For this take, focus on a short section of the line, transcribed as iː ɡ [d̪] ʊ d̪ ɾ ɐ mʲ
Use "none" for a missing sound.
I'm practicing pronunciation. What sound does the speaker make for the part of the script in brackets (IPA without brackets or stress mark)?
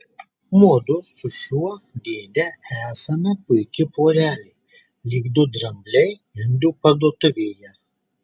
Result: d̪